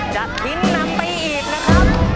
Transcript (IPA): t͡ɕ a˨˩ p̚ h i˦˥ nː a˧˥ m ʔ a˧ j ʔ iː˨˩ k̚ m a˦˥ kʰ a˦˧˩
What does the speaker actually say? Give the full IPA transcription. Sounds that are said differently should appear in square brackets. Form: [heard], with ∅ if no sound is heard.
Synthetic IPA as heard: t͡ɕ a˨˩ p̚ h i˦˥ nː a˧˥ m [p] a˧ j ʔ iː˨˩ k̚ [n] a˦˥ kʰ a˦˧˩